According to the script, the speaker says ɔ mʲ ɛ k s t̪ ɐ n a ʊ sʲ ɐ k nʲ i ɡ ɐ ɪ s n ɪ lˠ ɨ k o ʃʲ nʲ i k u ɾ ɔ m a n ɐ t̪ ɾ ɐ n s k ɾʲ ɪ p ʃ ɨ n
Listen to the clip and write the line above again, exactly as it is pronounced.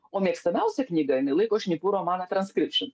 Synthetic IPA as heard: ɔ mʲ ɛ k s t̪ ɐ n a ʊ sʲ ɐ k nʲ i ɡ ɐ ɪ n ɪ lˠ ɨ k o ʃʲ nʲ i p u ɾ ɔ m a n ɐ t̪ ɾ ɐ n s k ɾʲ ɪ p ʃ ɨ n

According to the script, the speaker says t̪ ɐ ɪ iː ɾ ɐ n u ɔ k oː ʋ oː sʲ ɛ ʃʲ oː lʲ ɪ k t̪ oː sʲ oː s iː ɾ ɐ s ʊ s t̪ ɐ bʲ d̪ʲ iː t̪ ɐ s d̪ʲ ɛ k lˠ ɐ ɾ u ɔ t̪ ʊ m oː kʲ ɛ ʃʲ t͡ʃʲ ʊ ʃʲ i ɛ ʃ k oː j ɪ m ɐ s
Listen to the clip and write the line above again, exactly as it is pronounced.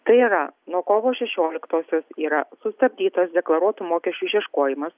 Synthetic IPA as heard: t̪ ɐ ɪ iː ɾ ɐ n u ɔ k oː ʋ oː ʃʲ ɛ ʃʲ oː lʲ ɪ k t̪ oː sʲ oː s iː ɾ ɐ s ʊ s t̪ ɐ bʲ d̪ʲ iː t̪ ɐ s d̪ʲ ɛ k lˠ ɐ ɾ u ɔ t̪ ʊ m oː kʲ ɛ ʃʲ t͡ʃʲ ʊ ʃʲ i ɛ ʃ k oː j ɪ m ɐ s

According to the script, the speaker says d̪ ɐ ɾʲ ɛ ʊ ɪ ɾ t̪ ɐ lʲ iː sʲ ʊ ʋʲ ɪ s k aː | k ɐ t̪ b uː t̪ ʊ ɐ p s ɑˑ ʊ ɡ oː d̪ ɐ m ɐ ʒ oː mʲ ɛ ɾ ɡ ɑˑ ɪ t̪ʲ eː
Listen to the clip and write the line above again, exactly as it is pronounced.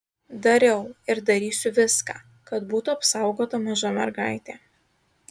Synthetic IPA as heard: d̪ ɐ ɾʲ ɛ ʊ ɪ ɾ d̪ ɐ ɾʲ iː sʲ ʊ ʋʲ ɪ s k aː | k ɐ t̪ b uː t̪ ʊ ɐ p s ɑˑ ʊ ɡ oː t̪ ɐ m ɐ ʒ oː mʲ ɛ ɾ ɡ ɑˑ ɪ t̪ʲ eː

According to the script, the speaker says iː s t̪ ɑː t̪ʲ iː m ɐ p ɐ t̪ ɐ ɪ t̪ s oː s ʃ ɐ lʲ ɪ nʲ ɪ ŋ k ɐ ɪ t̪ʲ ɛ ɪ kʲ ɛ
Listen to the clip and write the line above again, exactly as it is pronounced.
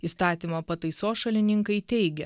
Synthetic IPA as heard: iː s t̪ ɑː t̪ʲ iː m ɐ p ɐ t̪ ɐ ɪ s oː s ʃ ɐ lʲ ɪ nʲ ɪ ŋ k ɐ ɪ t̪ʲ ɛ ɪ ɡʲ ɛ

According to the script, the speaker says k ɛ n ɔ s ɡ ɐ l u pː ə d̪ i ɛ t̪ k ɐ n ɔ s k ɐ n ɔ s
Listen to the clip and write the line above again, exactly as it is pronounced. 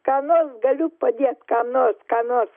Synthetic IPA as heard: k a n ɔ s ɡ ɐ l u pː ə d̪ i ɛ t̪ k a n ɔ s k a n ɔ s

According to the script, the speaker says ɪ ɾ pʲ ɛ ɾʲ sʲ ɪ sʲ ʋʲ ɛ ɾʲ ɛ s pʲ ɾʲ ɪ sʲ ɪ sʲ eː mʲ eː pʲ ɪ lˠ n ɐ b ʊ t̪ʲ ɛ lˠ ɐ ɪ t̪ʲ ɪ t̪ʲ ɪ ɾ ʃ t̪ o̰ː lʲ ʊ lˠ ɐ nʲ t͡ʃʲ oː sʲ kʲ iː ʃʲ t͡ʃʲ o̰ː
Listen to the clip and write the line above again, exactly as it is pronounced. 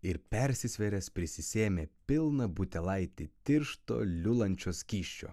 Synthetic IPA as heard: ɪ ɾ pʲ ɛ ɾʲ sʲ ɪ sʲ ʋʲ ɛ ɾʲ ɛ s pʲ ɾʲ ɪ sʲ ɪ sʲ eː mʲ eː pʲ ɪ lˠ n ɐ b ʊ t̪ʲ ɛ lˠ ɐ ɪ t̪ʲ ɪ t̪ʲ ɪ ɾ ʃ t̪ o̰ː lʲ ʊ lˠ ɐ nʲ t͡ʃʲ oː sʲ kʲ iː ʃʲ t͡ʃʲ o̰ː

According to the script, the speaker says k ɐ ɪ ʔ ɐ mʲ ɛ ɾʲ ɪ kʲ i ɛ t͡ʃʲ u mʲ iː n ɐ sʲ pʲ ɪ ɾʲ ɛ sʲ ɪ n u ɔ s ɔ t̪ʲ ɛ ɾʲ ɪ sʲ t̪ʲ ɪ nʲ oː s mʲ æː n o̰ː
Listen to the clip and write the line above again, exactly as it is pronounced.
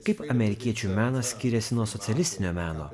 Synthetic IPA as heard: k ɐ ɪ p ɐ mʲ ɛ ɾʲ ɪ kʲ i ɛ t͡ʃʲ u mʲ æː n ɐ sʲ kʲ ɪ ɾʲ ɛ sʲ ɪ n u ɔ s ɔ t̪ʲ ɛ lʲ ɪ sʲ t̪ʲ ɪ nʲ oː mʲ æː n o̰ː

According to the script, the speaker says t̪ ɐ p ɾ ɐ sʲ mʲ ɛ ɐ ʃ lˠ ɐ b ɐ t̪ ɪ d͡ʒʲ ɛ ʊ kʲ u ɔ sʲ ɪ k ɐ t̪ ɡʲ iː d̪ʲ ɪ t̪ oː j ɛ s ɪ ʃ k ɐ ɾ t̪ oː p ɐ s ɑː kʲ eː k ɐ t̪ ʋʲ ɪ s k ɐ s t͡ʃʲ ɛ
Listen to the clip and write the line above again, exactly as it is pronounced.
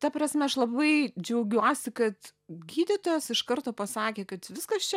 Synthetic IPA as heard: t̪ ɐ p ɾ ɐ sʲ mʲ ɛ ɐ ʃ lˠ ɐ b ɐ ɪ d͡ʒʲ ɛ ʊ ɡʲ u ɔ sʲ ɪ k ɐ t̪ ɡʲ iː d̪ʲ ɪ t̪ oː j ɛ s ɪ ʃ k ɐ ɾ t̪ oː p ɐ s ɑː kʲ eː k ɐ t̪ ʋʲ ɪ s k ɐ s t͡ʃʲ ɛ

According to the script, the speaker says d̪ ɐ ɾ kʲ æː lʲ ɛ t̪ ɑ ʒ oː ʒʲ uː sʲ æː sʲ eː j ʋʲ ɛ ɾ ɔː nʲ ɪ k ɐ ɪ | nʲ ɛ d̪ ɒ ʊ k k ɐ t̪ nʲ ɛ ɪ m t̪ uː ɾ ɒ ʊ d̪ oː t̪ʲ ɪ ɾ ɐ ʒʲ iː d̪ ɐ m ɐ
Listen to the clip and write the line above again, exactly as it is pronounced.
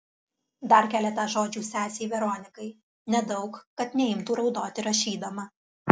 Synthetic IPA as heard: d̪ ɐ ɾ kʲ æː lʲ ɛ t̪ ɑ ʒ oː d͡ʒʲ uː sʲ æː sʲ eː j ʋʲ ɛ ɾ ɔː nʲ ɪ k ɐ ɪ | nʲ ɛ d̪ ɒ ʊ k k ɐ t̪ nʲ ɛ ɪ m t̪ uː ɾ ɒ ʊ d̪ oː t̪ʲ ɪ ɾ ɐ ʃʲ iː d̪ ɐ m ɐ

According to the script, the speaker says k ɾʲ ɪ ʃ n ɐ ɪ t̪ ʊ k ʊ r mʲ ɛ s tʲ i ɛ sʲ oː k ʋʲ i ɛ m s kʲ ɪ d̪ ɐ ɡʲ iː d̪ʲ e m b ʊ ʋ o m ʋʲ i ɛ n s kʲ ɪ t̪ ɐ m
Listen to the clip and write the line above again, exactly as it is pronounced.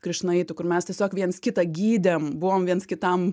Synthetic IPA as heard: k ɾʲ ɪ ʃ n ɐ ɪ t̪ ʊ k ʊ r mʲ ɛ s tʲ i ɛ sʲ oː k ʋʲ i ɛ n s kʲ ɪ t̪ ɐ ɡʲ iː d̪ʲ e m b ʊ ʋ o m ʋʲ i ɛ n s kʲ ɪ t̪ ɐ m

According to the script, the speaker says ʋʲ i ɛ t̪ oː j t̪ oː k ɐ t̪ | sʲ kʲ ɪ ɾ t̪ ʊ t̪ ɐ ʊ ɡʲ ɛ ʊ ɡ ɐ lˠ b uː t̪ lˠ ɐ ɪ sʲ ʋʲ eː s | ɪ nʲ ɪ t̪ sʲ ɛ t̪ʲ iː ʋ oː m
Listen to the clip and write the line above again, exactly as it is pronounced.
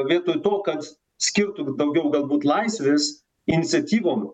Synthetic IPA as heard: ʋʲ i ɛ t̪ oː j t̪ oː k ɐ t̪ | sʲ kʲ ɪ ɾ t̪ ʊ d̪ ɐ ʊ ɡʲ ɛ ʊ ɡ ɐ lˠ b uː t̪ lˠ ɐ ɪ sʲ ʋʲ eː s | ɪ nʲ ɪ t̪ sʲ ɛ t̪ʲ iː ʋ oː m

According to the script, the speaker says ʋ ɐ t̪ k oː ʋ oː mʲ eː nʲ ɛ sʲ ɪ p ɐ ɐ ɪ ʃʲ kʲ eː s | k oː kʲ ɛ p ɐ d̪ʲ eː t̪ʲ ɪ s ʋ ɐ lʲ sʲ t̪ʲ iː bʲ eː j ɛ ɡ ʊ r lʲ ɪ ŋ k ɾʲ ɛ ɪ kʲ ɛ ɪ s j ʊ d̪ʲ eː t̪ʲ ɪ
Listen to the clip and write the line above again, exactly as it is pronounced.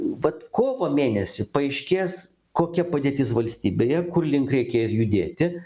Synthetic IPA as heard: ʋ ɐ t̪ k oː ʋ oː mʲ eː nʲ ɛ sʲ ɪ p ɐ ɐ ɪ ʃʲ kʲ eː s | k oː kʲ ɛ p ɐ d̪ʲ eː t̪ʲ ɪ s ʋ ɐ lʲ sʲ t̪ʲ iː bʲ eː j ɛ k ʊ r lʲ ɪ ŋ k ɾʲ ɛ ɪ kʲ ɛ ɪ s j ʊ d̪ʲ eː t̪ʲ ɪ

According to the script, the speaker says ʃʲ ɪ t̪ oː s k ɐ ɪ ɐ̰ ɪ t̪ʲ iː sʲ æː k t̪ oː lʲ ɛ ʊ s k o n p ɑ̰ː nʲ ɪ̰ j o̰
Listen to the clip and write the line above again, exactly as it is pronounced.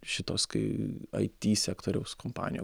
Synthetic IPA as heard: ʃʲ ɪ t̪ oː s k ɐ ɪ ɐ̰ ɪ t̪ʲ iː sʲ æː k t̪ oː ɾʲ ɛ ʊ s k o m p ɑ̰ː nʲ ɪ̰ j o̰

